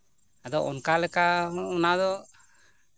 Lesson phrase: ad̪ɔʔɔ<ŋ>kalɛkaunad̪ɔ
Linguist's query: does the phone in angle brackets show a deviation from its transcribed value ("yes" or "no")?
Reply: yes